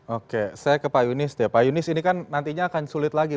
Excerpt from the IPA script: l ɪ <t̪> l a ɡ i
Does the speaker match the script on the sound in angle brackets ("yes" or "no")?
yes